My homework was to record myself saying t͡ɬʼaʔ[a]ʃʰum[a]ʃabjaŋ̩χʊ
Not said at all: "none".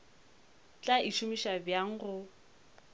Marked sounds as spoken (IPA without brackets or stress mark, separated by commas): i, i